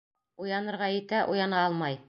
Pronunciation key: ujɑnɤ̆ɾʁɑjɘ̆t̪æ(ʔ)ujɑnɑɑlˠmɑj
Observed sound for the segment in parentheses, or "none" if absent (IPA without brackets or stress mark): ʔ